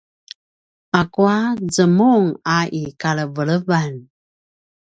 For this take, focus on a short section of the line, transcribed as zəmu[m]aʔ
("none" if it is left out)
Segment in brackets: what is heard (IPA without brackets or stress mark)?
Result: ŋ